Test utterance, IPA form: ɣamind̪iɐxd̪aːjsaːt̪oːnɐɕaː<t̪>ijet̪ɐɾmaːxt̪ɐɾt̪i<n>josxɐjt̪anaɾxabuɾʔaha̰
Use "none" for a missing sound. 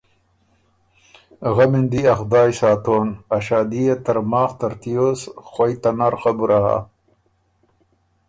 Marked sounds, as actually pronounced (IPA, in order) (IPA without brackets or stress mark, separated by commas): d̪, none